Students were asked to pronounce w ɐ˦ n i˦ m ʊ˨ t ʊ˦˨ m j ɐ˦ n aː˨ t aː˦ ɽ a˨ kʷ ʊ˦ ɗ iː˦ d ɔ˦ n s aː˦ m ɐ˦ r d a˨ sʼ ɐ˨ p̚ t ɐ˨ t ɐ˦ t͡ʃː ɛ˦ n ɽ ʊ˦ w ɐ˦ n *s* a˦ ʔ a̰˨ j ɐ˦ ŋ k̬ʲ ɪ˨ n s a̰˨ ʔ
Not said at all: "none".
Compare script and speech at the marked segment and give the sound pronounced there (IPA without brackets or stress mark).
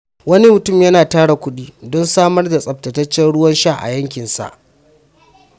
ʃ